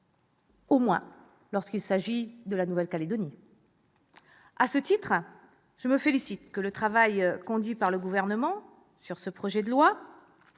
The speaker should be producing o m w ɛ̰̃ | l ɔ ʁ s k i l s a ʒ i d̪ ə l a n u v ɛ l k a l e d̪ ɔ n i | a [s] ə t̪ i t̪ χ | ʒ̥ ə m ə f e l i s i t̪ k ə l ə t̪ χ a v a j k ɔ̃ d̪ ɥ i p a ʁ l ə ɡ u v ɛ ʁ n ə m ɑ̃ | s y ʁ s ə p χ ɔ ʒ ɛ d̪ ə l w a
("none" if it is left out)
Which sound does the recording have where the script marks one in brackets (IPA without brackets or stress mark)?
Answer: s